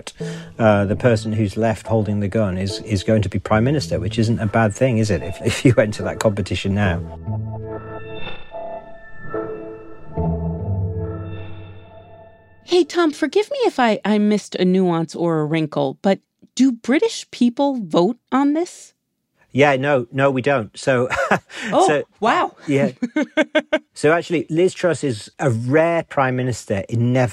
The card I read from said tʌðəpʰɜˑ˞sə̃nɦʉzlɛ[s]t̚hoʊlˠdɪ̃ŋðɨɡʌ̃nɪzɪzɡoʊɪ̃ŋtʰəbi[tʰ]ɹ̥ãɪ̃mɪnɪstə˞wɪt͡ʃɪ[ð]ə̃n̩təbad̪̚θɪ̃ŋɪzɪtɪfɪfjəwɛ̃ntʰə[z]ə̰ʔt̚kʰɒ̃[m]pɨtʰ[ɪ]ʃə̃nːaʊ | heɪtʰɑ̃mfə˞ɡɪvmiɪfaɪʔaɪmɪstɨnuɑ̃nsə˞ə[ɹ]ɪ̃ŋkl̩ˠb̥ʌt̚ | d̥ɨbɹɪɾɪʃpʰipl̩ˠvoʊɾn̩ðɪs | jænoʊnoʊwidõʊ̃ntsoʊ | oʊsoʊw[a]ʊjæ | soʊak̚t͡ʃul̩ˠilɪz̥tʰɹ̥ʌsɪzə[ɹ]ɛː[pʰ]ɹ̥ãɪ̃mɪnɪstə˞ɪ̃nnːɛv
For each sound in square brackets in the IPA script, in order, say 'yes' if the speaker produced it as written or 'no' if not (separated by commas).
no, no, no, no, yes, yes, yes, yes, yes, yes